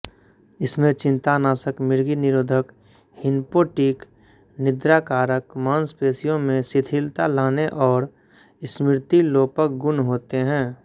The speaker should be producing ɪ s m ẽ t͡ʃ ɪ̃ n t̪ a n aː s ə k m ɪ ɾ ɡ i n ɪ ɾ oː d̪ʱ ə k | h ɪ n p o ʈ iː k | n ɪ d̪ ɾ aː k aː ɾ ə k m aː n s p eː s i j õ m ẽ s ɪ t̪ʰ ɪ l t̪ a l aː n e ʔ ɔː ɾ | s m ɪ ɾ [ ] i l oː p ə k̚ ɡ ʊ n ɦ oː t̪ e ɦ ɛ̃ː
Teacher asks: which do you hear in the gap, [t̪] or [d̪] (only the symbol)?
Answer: t̪